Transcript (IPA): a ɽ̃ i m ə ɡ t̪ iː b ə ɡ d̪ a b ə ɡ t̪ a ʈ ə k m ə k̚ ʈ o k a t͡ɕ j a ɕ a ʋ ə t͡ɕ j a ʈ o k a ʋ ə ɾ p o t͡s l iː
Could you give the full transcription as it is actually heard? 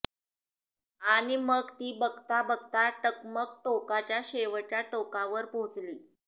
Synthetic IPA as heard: a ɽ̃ i m ə ɡ t̪ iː b ə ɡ t̪ a b ə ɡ t̪ a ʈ ə k m ə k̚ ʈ o k a t͡ɕ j a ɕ e ʋ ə t͡ɕ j a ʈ o k a ʋ ə ɾ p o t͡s l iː